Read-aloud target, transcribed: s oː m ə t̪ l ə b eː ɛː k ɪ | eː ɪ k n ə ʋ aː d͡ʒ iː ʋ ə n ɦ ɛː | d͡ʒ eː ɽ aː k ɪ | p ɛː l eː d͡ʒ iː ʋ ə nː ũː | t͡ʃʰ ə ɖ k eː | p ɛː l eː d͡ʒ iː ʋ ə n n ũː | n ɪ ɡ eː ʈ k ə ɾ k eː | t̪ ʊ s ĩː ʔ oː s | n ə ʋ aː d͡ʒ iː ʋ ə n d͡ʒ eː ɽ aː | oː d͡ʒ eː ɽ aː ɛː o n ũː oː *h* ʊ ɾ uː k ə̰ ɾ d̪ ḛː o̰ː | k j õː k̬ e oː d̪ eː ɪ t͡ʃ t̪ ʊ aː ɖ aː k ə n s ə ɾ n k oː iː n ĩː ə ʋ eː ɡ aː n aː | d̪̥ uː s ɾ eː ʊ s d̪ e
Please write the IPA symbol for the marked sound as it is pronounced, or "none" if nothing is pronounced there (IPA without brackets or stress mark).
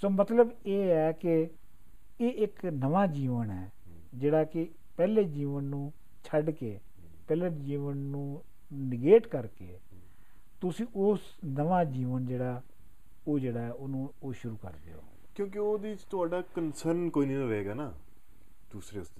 ʃ